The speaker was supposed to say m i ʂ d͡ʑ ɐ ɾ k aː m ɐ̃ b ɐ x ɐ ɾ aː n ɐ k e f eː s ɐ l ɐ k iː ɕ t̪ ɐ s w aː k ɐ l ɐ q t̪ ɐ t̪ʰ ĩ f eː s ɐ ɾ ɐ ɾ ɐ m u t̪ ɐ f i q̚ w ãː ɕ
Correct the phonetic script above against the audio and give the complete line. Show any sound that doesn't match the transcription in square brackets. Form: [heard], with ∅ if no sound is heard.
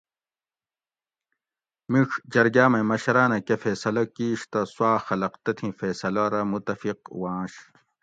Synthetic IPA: m i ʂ d͡ʑ ɐ ɾ [ɡ] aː m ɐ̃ [m] ɐ [ɕ] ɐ ɾ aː n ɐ k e f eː s ɐ l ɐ k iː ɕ t̪ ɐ s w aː [x] ɐ l ɐ q t̪ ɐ t̪ʰ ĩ f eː s ɐ [l] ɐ ɾ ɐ m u t̪ ɐ f i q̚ w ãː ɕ